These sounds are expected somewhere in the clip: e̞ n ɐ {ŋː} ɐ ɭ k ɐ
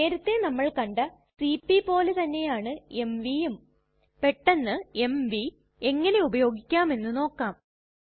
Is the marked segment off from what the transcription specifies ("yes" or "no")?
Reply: yes